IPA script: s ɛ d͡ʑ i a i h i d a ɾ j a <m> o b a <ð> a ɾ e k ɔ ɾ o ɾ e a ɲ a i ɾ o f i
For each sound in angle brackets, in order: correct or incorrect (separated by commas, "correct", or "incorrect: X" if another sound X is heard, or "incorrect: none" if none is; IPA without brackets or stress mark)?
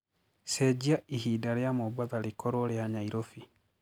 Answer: correct, correct